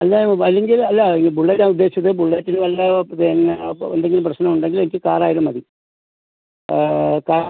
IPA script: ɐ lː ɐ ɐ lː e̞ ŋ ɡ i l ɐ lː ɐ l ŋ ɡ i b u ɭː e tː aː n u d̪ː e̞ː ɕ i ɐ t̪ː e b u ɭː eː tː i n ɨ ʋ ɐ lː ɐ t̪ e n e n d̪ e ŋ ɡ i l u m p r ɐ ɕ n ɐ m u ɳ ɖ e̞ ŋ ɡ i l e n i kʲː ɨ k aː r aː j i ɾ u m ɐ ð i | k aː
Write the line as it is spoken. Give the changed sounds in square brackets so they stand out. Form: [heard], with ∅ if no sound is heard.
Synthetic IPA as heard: ɐ lː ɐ ɐ lː e̞ ŋ ɡ i l ɐ lː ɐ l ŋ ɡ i b u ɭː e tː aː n u d̪ː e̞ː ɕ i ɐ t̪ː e b u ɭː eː tː i n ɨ ʋ ɐ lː ɐ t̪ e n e n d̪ e ŋ ɡ i l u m p r ɐ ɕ n ɐ m u ɳ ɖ e̞ ŋ ɡ i l e n i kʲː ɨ k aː r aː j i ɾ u m ɐ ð i | k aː